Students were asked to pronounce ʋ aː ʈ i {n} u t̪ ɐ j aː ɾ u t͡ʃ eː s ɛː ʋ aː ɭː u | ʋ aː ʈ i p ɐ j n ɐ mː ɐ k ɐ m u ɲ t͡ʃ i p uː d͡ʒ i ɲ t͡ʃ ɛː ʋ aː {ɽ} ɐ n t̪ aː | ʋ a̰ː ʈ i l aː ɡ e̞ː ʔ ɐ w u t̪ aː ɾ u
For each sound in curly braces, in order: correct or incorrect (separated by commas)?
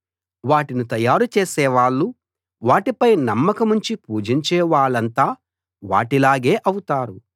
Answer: correct, incorrect